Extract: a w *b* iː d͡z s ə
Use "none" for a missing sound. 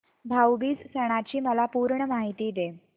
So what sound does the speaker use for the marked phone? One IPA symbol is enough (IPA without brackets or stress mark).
b